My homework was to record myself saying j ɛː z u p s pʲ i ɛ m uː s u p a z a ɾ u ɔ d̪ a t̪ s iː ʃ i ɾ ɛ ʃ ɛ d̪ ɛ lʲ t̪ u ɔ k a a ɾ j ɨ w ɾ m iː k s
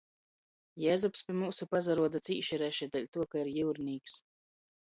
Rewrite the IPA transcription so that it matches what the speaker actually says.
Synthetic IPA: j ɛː z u p s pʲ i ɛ m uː s u p a z a ɾ u ɔ d̪ a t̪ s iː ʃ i ɾ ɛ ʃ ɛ d̪ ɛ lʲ t̪ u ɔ k a i ɾ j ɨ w ɾ n iː k s